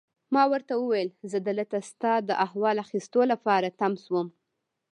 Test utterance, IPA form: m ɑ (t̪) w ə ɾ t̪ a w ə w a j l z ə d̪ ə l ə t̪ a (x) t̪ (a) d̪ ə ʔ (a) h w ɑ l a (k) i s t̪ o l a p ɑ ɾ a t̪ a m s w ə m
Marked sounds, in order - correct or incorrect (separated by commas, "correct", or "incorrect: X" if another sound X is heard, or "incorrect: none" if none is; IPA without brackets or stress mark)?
incorrect: none, incorrect: s, incorrect: ɑ, correct, incorrect: x